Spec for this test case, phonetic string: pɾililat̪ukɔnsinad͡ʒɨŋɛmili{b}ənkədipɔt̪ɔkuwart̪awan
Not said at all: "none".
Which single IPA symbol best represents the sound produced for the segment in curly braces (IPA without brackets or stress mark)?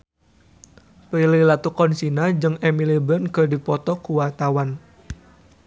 b